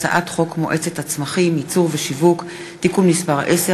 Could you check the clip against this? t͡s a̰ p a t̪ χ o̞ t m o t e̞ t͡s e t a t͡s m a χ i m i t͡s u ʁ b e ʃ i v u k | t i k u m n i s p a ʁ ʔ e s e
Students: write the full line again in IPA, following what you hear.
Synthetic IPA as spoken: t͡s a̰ ʔ a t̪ χ o̞ k m o ʔ e̞ t͡s e t a t͡s m a χ i m i t͡s u ʁ v e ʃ i v u k | t i k u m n i s p a ʁ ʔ e s e

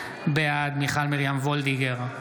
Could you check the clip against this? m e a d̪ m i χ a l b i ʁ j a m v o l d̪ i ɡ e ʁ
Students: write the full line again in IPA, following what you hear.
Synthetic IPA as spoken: b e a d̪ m i χ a l m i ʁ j a m v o l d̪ i ɡ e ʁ

